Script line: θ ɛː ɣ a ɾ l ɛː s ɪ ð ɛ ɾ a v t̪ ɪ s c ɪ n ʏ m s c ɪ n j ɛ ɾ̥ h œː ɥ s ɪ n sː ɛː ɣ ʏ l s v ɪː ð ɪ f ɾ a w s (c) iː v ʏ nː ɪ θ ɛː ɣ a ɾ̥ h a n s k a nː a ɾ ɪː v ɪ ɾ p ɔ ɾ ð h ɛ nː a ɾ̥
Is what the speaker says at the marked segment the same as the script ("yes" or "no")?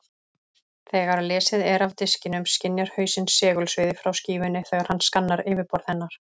yes